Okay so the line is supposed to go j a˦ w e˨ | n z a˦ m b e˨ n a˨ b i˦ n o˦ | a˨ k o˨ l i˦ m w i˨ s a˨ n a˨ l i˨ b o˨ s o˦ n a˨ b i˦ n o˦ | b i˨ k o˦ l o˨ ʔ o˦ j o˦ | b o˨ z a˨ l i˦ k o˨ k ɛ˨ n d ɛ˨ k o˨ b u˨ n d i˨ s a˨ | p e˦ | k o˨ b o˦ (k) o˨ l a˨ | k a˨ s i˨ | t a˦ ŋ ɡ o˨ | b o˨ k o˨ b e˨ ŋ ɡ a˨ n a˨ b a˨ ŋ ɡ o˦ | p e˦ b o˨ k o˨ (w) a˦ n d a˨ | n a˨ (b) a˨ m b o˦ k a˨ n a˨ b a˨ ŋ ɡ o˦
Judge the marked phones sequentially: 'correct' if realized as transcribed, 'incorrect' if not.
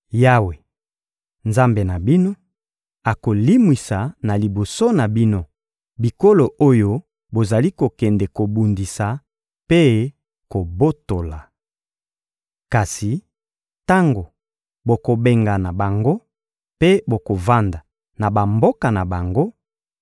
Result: incorrect: t, incorrect: v, correct

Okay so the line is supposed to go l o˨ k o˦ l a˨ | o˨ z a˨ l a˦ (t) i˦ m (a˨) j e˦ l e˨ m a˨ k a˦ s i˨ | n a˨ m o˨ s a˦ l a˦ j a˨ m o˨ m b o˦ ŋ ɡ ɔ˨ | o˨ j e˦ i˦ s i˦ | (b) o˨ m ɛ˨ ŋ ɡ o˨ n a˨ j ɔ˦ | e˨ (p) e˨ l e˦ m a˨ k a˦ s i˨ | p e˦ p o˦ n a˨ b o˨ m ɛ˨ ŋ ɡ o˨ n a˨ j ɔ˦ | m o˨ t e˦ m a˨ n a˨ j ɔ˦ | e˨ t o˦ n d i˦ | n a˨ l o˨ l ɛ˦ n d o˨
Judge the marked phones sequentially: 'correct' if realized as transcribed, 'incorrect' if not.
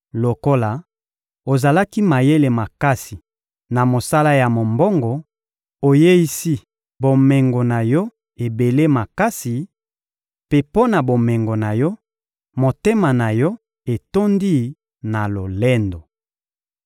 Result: incorrect: k, correct, correct, incorrect: b

